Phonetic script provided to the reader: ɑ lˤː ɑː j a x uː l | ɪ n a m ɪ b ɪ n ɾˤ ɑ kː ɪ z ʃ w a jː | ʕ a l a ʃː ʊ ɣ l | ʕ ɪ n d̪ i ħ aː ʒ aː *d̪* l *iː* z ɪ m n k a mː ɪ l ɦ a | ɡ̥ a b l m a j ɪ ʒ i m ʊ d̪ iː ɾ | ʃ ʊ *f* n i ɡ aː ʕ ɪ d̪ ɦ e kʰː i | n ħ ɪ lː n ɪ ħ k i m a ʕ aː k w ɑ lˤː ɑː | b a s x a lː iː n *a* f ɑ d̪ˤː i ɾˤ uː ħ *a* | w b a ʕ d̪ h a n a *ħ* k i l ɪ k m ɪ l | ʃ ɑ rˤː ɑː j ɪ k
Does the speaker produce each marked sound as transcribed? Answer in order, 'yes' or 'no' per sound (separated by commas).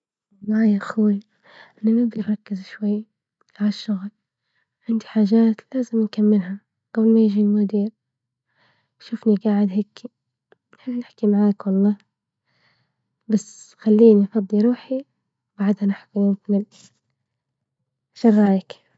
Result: no, no, yes, no, no, yes